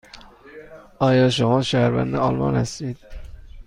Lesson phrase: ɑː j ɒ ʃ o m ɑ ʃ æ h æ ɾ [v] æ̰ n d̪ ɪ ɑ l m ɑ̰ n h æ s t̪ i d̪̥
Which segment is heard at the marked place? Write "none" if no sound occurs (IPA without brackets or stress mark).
v